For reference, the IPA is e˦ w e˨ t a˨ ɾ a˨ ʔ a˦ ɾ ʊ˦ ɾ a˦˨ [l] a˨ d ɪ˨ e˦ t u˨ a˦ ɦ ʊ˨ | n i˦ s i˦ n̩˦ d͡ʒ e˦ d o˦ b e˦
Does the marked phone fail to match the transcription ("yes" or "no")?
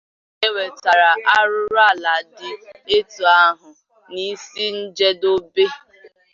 no